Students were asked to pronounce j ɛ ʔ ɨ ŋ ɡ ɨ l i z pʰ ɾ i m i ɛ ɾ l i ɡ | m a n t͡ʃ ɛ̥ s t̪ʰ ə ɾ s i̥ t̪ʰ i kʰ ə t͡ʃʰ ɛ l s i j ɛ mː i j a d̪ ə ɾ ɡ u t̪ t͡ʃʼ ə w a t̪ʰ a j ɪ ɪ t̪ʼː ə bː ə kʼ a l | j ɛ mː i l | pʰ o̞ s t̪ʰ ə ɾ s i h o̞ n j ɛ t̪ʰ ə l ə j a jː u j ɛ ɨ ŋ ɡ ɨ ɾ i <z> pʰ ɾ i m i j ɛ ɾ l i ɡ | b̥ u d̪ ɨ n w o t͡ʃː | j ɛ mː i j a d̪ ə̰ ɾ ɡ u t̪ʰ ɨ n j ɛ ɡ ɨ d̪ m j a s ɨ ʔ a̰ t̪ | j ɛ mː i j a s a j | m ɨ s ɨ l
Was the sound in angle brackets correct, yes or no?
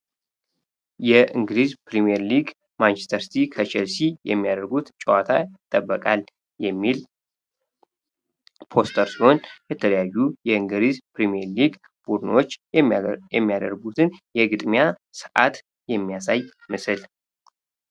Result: yes